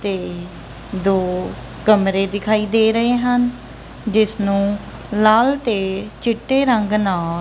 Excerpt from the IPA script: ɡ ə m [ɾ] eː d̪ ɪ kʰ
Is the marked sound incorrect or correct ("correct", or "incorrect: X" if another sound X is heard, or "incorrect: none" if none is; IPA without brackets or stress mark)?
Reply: correct